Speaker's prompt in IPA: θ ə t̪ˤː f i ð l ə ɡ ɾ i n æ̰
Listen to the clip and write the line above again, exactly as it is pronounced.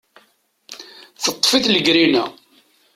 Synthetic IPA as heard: θ ə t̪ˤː f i θ l ə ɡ ɾ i n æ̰